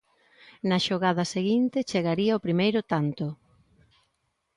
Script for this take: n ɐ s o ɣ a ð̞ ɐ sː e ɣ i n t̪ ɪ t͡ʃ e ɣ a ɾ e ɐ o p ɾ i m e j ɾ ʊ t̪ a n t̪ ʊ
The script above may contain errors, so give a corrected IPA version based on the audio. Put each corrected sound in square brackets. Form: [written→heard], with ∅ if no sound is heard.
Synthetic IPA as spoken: n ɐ [s→ʃ] o ɣ a ð̞ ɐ [sː→s] e ɣ i n t̪ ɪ t͡ʃ e ɣ a ɾ [e→i] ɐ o p ɾ i m e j ɾ ʊ t̪ a n t̪ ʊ